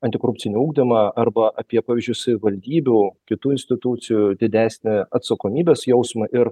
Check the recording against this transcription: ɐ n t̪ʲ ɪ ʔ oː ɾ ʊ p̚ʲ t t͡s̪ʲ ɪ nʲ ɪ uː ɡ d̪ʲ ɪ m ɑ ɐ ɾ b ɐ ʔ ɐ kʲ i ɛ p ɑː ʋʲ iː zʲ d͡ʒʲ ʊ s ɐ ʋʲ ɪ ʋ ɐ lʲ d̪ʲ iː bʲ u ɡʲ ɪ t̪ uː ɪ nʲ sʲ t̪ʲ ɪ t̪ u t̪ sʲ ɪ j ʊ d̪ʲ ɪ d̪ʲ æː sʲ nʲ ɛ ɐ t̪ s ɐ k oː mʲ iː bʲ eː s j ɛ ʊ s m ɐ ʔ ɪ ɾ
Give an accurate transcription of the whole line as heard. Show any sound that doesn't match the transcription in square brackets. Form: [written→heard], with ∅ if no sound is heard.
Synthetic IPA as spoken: ɐ n t̪ʲ ɪ [ʔ→k] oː ɾ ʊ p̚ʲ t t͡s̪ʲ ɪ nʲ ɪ uː ɡ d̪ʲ ɪ m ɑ ɐ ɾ b ɐ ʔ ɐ [kʲ→pʲ] i ɛ p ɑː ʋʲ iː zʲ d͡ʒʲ ʊ s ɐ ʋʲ ɪ ʋ ɐ lʲ d̪ʲ iː bʲ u [ɡʲ→kʲ] ɪ t̪ uː ɪ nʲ sʲ t̪ʲ ɪ t̪ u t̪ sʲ ɪ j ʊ d̪ʲ ɪ d̪ʲ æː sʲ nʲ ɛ ɐ t̪ s ɐ k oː mʲ iː bʲ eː s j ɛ ʊ s m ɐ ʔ ɪ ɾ